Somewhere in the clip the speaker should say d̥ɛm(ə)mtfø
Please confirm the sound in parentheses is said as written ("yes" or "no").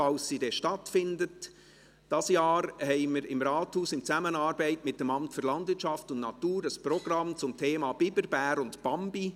no